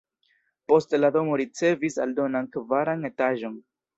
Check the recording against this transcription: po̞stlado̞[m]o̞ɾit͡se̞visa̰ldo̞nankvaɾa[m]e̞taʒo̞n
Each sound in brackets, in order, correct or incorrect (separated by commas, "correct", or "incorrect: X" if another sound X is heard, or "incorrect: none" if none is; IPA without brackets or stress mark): correct, incorrect: n